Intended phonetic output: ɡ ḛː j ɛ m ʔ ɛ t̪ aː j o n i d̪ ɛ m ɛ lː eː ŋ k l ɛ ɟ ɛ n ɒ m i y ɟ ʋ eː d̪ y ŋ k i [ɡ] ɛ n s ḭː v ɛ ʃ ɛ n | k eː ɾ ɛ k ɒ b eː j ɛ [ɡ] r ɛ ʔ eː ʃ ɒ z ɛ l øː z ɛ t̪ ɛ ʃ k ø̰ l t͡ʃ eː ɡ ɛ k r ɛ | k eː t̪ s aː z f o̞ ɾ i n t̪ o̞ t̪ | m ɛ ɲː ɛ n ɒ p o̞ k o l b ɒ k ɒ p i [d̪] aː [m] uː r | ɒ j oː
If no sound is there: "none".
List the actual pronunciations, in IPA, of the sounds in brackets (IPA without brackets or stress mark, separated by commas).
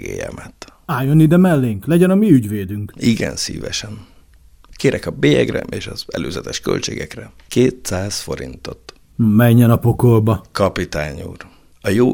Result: ɡ, ɡ, t̪, ɲ